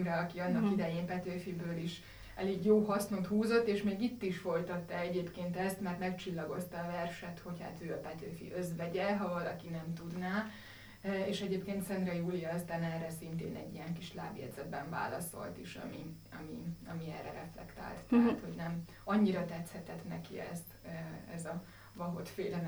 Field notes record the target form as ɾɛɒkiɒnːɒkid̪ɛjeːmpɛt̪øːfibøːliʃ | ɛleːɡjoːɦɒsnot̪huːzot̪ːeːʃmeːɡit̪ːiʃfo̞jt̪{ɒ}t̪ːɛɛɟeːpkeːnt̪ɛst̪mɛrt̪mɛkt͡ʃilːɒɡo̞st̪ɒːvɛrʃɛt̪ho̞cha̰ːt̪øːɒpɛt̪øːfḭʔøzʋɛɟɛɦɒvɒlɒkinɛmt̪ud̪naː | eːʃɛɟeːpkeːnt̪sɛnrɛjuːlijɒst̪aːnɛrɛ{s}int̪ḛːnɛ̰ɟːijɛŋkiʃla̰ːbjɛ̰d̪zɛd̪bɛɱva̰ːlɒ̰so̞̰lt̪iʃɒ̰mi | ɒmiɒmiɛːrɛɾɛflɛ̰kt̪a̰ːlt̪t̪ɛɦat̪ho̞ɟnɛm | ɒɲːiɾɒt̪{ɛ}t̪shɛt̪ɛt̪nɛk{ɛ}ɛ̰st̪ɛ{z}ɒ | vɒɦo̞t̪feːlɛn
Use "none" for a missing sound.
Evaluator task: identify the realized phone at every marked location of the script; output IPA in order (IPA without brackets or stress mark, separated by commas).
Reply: ɒ, s, ɛ, i, z